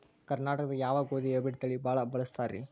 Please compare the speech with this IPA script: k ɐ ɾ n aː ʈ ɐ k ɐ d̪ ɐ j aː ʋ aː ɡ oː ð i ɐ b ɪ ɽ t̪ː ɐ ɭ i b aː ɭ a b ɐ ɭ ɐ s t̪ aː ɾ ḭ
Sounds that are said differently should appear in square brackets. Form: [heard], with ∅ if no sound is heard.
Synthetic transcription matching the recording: k ɐ ɾ n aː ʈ ɐ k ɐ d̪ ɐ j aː ʋ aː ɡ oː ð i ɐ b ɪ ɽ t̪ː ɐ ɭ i b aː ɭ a b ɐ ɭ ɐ s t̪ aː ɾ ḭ